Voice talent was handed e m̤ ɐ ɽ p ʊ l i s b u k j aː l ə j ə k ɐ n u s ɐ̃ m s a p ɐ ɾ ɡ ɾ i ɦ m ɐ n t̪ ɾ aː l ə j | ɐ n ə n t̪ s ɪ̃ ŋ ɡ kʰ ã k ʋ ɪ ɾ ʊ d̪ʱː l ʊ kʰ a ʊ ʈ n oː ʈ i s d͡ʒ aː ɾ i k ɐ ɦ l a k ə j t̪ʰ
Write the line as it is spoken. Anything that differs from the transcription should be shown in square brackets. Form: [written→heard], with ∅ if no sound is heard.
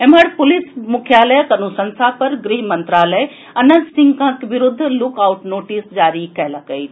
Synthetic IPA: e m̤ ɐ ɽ p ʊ l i s [b→m] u [k→kʰ] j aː l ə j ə k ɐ n u s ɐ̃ [m→n] s a p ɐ ɾ ɡ ɾ i ɦ m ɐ n t̪ ɾ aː l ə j | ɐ n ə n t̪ s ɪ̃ ŋ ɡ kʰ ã k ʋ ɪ ɾ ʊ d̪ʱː l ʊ [kʰ→k] a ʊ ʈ n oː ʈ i s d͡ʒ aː ɾ i k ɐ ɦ l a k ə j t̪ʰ